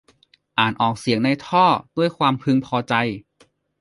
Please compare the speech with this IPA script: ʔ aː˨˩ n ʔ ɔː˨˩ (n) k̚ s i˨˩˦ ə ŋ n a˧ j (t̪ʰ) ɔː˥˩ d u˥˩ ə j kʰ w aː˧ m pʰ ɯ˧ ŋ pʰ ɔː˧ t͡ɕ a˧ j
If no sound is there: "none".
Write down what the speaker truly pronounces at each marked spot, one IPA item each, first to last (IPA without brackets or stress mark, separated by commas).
none, t̪ʰ